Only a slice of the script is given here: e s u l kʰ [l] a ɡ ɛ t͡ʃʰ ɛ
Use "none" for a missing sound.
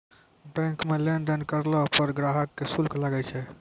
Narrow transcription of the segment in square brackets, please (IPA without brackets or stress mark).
l